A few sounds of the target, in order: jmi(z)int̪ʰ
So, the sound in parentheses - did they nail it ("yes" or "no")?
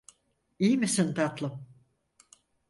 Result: no